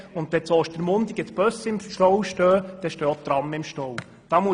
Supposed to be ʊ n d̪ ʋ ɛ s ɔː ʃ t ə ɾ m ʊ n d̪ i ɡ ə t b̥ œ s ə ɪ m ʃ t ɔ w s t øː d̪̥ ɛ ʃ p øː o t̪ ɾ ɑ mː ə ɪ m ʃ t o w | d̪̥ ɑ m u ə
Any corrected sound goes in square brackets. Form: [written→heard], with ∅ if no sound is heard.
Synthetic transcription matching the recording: ʊ n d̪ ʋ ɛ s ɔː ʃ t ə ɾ m ʊ n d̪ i ɡ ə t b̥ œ s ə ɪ m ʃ t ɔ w [s→ʃ] t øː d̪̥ ɛ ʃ [p→t] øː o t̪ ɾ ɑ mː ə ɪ m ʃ t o w | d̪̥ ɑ m u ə